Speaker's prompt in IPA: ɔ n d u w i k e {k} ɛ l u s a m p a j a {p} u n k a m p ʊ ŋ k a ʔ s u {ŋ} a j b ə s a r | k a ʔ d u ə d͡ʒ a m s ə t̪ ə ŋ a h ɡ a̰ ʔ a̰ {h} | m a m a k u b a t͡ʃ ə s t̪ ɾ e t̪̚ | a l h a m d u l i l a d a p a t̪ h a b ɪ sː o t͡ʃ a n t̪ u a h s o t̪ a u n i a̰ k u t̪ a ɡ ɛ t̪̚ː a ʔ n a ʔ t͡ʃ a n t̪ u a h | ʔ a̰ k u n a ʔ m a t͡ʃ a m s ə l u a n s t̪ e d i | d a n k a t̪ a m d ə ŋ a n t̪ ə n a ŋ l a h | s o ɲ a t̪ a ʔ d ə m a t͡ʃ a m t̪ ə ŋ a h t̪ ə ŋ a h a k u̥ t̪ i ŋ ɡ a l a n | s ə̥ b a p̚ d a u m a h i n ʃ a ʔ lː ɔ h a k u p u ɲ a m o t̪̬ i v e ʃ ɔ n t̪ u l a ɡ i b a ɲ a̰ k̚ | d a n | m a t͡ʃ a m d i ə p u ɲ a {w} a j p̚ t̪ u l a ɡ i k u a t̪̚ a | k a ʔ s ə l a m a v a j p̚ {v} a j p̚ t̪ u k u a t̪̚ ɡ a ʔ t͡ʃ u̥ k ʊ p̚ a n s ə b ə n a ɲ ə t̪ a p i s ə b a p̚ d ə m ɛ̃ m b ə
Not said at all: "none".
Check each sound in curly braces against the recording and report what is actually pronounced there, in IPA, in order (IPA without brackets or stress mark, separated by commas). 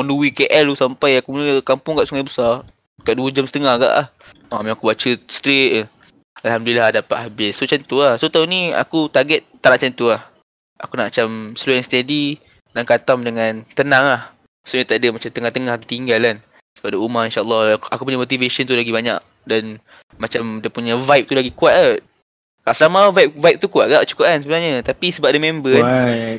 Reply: ʔ, k, ŋ, h, v, v